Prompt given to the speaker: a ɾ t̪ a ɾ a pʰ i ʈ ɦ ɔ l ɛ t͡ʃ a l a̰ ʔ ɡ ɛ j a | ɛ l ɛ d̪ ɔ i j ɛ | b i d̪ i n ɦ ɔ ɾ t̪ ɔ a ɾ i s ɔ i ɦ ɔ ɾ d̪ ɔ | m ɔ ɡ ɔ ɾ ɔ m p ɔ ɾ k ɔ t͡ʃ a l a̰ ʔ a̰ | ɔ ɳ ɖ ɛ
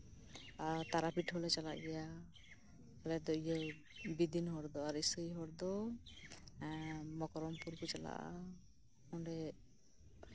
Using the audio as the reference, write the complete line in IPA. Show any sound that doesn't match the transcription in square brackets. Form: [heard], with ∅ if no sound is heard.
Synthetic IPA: a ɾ t̪ a ɾ a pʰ i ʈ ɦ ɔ l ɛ t͡ʃ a l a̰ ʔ ɡ ɛ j a | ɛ l ɛ d̪ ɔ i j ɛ | b i d̪ i n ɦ ɔ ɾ [d̪] ɔ a ɾ i s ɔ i ɦ ɔ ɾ d̪ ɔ | m ɔ [k] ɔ ɾ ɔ m p [u] ɾ k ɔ t͡ʃ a l a̰ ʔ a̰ | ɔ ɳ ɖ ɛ